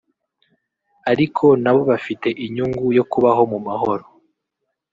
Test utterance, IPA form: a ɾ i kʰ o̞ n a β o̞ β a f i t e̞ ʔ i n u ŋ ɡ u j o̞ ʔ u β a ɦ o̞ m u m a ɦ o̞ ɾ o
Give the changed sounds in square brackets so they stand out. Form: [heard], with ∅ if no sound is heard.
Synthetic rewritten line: a ɾ i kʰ o̞ n a β o̞ β a f i t e̞ ʔ i [ɲ] u ŋ ɡ u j o̞ [k] u β a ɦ o̞ m u m a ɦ o̞ ɾ o